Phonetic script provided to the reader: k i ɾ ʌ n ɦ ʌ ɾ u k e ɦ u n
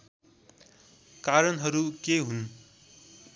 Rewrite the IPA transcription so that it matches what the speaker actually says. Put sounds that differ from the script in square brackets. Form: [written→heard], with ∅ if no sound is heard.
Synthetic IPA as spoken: k [i→a] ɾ ʌ n ɦ ʌ ɾ u k e ɦ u n